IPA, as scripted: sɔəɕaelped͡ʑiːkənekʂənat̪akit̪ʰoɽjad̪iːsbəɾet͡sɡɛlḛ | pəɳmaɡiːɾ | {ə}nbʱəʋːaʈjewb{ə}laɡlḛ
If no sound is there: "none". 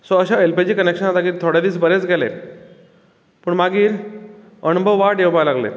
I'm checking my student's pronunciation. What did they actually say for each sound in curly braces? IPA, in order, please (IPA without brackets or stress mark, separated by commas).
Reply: ə, a